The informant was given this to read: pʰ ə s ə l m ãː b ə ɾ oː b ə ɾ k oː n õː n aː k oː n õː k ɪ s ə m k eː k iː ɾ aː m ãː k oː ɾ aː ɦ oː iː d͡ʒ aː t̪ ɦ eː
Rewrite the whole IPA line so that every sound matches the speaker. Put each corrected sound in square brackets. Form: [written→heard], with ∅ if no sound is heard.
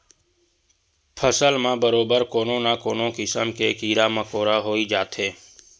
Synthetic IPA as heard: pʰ ə s ə l m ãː b ə ɾ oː b ə ɾ k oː n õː n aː k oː n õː k ɪ s ə m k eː k iː ɾ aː m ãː k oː ɾ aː ɦ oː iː d͡ʒ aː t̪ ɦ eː